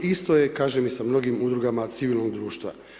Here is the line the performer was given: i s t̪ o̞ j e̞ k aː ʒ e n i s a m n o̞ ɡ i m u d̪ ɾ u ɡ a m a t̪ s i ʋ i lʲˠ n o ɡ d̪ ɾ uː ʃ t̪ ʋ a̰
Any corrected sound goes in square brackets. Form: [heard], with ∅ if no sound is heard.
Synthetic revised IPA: i s t̪ o̞ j e̞ k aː ʒ e [m] i s a m n o̞ ɡ i m u d̪ ɾ u ɡ a m a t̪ s i ʋ i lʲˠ n o ɡ d̪ ɾ uː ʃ t̪ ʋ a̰